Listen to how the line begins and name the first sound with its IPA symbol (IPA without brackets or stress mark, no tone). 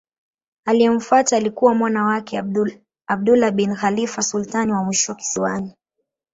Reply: a